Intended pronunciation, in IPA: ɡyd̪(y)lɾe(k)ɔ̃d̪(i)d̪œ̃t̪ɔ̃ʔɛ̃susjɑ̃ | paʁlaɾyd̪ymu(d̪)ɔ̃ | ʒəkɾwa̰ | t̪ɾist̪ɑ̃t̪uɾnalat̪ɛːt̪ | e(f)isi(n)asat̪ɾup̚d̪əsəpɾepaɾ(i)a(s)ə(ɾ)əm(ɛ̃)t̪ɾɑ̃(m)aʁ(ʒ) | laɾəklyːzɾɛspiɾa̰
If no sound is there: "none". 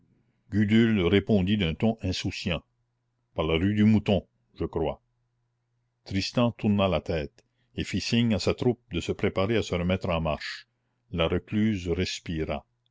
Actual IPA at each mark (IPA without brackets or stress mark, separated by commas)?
y, p, i, t̪, f, ɲ, e, s, ɾ, ɛ, m, ʃ